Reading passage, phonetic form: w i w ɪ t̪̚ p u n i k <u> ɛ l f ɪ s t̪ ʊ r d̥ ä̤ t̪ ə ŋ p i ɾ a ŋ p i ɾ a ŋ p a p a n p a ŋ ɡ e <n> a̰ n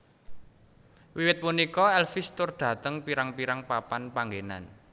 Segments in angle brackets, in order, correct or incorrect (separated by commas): incorrect, correct